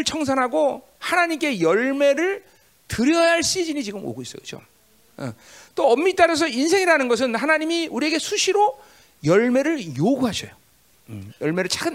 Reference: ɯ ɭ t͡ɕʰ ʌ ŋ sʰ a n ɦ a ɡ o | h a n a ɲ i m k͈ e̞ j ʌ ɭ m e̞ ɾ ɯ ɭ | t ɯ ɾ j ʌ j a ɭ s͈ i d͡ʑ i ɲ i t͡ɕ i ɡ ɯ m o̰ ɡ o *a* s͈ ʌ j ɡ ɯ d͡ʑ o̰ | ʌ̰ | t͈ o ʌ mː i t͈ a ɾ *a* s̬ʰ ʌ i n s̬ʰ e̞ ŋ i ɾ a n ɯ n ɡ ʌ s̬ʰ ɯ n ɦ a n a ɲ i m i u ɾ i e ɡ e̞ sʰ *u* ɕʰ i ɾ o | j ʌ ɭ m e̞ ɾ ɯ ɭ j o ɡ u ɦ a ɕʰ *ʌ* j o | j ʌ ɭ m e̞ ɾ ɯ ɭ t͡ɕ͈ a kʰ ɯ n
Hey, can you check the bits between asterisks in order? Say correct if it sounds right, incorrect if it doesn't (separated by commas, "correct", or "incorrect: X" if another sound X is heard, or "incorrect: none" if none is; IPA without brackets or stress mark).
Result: incorrect: i, incorrect: ʌ, correct, correct